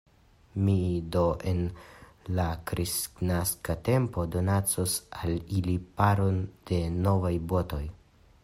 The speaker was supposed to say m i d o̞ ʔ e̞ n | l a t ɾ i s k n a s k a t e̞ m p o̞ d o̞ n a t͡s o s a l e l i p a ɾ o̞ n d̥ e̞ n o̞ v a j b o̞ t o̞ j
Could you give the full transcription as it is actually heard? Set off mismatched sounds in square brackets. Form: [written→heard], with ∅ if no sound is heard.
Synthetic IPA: m i d o̞ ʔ e̞ n | l a [t→k] ɾ i s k n a s k a t e̞ m p o̞ d o̞ n a t͡s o s a l [e→i] l i p a ɾ o̞ n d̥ e̞ n o̞ v a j b o̞ t o̞ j